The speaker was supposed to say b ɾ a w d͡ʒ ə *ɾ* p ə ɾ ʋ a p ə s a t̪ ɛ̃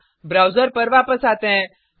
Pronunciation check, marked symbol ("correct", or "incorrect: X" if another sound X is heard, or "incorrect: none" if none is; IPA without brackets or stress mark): correct